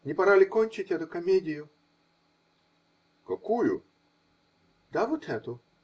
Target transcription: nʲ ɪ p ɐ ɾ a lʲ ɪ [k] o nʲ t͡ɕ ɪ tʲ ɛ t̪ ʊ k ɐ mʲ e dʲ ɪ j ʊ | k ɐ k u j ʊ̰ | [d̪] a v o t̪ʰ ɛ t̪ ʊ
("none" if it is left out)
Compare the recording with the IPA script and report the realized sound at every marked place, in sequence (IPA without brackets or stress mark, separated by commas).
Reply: k, d̪